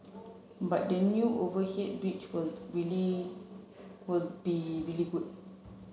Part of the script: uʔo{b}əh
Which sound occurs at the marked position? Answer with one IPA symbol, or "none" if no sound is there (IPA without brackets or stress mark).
v